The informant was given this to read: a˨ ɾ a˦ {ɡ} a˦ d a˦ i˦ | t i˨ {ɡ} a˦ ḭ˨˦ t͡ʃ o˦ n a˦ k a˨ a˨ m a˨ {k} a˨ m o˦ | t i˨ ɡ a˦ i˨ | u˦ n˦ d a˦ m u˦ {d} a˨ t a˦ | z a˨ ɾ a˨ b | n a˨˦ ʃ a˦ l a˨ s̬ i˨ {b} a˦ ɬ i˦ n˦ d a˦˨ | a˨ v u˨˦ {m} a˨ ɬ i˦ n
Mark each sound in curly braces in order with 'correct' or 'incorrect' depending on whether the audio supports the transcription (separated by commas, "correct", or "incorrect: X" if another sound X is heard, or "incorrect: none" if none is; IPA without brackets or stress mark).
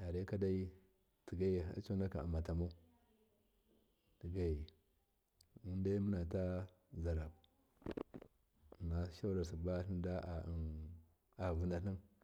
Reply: incorrect: k, correct, incorrect: t, incorrect: n, correct, incorrect: n